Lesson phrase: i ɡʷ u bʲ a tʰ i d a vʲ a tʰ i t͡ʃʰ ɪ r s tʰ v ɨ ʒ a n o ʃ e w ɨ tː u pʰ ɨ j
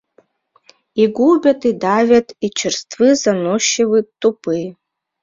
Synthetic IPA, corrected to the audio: i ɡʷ u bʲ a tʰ i d a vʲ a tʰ i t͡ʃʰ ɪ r s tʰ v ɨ z a n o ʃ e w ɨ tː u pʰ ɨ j